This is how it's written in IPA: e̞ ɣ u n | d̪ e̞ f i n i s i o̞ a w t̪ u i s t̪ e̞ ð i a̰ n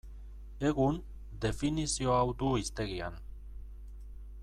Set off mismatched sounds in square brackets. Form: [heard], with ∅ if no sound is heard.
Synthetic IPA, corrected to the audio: e̞ ɣ u n | d̪ e̞ f i n i s i o̞ a w [d̪] u i s t̪ e̞ [ɣ] i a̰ n